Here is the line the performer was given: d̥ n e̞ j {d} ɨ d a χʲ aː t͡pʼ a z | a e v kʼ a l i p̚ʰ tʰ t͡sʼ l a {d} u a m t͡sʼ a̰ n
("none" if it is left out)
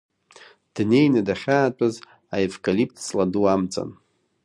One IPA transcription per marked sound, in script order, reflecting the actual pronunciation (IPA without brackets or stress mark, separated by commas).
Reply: n, d